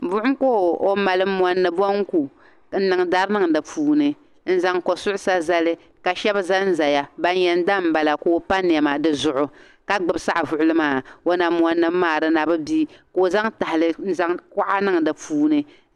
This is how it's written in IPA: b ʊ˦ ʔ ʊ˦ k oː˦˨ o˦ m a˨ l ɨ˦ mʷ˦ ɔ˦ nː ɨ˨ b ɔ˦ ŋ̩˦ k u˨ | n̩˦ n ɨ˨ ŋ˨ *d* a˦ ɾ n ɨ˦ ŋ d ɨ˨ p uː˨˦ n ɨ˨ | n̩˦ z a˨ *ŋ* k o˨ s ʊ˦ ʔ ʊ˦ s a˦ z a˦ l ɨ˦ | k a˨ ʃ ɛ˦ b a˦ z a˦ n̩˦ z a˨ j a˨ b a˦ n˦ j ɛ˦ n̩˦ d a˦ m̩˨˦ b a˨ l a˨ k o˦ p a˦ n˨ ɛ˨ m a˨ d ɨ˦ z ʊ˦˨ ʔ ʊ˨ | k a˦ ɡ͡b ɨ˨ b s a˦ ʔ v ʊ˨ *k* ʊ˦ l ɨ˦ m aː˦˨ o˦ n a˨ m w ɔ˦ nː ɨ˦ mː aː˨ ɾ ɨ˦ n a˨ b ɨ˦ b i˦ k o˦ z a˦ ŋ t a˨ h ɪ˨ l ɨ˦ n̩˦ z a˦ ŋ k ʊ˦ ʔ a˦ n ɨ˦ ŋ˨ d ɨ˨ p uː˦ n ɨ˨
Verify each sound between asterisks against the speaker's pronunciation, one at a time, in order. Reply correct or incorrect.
correct, correct, incorrect

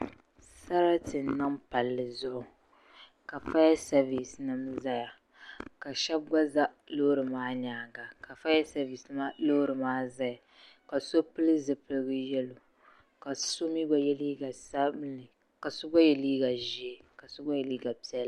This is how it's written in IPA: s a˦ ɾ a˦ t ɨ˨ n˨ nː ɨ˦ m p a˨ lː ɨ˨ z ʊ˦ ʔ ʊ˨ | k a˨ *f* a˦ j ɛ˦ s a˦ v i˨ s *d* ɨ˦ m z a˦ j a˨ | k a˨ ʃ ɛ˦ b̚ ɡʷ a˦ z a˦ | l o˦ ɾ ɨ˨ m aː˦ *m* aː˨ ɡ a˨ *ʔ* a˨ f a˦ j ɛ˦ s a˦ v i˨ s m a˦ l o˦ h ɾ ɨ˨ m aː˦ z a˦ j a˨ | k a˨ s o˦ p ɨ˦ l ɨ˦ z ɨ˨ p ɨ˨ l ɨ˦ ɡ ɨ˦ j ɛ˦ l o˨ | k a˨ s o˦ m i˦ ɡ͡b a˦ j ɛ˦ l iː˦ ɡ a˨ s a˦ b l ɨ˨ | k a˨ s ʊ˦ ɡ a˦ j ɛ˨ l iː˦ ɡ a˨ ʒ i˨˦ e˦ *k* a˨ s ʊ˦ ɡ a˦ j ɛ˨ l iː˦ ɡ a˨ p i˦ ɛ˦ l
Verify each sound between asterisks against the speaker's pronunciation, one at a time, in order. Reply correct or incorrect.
correct, incorrect, incorrect, incorrect, correct

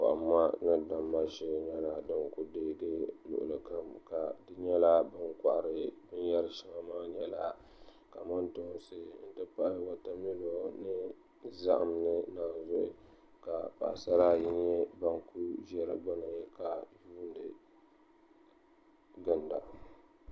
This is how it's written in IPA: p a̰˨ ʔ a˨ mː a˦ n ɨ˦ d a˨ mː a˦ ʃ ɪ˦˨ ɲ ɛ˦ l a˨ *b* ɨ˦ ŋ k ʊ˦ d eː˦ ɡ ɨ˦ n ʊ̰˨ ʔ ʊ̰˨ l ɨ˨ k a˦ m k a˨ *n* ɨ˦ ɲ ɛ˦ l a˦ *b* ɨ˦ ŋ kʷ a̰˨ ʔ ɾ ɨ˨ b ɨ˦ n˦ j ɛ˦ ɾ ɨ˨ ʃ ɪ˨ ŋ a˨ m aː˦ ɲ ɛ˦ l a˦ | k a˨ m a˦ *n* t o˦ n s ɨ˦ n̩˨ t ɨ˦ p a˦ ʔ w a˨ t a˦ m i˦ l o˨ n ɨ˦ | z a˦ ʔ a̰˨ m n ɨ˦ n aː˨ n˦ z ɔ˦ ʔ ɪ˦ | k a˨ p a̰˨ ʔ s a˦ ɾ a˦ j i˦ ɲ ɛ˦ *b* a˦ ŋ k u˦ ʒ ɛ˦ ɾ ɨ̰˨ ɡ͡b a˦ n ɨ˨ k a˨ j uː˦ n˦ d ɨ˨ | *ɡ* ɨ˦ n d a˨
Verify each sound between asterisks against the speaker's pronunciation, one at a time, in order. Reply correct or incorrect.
incorrect, incorrect, correct, correct, correct, correct

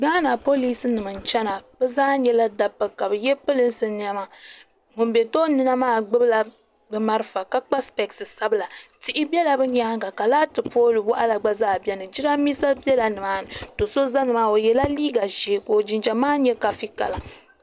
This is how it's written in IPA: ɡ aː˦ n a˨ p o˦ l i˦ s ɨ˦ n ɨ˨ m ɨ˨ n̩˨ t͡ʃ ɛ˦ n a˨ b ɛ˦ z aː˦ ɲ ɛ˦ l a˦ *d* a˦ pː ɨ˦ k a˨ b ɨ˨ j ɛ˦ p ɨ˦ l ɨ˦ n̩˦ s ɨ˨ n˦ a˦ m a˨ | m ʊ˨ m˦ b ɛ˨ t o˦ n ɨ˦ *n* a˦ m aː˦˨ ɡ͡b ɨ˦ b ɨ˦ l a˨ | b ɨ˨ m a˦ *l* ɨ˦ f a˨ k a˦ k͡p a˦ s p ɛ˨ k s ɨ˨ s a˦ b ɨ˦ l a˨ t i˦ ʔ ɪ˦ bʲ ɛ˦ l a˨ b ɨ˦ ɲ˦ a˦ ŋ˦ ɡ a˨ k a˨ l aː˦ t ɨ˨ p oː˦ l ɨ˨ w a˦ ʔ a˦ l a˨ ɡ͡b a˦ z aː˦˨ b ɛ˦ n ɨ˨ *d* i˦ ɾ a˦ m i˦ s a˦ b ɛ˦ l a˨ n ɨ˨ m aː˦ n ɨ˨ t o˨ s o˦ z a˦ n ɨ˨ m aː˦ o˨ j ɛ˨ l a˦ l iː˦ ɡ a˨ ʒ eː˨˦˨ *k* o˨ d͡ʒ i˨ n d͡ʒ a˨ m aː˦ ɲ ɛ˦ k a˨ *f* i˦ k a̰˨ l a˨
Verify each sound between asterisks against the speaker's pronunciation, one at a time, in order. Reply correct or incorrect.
correct, correct, incorrect, incorrect, correct, correct

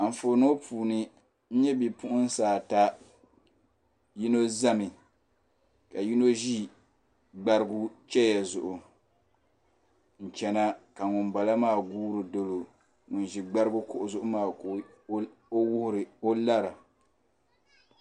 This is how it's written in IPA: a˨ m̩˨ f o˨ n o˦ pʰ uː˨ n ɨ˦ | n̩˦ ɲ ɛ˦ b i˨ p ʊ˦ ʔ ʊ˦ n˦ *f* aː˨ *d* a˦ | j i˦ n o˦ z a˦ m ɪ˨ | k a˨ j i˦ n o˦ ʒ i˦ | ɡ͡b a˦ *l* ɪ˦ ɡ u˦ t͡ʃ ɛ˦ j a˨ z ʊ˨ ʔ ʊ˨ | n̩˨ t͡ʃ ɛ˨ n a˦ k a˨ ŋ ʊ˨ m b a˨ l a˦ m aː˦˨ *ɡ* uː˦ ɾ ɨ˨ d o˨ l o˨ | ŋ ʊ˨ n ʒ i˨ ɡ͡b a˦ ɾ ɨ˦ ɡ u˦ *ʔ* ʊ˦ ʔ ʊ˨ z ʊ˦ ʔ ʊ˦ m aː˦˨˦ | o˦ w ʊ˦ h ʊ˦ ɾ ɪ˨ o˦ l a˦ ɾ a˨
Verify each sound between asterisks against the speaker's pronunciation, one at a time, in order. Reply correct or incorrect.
incorrect, incorrect, incorrect, correct, incorrect

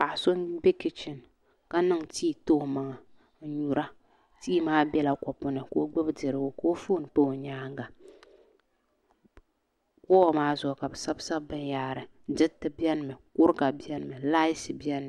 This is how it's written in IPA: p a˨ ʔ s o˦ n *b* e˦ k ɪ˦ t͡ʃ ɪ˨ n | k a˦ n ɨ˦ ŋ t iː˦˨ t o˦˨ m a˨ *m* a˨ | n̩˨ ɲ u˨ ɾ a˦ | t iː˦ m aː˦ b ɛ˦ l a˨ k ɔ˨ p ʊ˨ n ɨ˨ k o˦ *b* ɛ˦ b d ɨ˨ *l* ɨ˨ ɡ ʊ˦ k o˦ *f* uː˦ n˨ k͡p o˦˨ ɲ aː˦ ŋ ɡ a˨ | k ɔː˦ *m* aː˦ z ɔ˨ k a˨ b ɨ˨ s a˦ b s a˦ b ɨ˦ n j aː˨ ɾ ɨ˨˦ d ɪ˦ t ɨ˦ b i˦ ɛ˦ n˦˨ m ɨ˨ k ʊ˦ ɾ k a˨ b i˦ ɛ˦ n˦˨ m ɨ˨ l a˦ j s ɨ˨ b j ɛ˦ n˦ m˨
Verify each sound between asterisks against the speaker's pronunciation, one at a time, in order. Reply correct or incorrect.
correct, incorrect, incorrect, incorrect, correct, correct

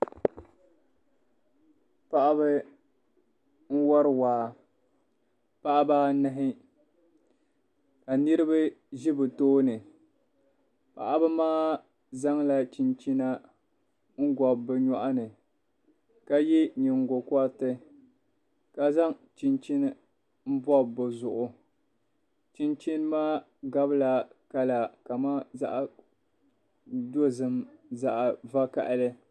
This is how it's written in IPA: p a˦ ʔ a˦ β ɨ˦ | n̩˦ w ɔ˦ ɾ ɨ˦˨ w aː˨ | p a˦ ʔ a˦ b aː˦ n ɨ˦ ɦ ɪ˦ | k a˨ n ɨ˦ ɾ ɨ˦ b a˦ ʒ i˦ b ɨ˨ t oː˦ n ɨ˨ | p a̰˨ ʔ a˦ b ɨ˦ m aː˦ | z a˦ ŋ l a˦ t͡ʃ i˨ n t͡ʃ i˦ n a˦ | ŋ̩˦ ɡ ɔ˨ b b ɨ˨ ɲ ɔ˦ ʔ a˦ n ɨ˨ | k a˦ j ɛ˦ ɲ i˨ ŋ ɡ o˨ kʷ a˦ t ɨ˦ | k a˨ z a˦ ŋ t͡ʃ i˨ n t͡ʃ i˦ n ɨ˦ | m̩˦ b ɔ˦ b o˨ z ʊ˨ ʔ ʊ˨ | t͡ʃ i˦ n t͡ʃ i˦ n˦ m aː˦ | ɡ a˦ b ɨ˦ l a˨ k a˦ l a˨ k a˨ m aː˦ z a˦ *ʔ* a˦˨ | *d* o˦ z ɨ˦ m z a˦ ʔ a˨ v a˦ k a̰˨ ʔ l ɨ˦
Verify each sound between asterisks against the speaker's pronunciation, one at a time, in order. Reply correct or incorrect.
correct, correct

